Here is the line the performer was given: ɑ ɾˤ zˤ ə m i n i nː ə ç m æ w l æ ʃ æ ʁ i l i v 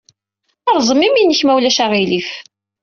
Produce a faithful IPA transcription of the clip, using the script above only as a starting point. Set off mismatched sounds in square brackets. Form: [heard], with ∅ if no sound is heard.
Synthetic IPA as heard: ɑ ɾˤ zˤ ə m i [m] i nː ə ç m æ w l æ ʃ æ ʁ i l i [f]